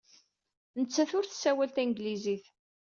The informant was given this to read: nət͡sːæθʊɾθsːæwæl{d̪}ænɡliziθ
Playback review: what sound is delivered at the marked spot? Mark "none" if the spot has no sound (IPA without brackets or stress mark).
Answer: t̪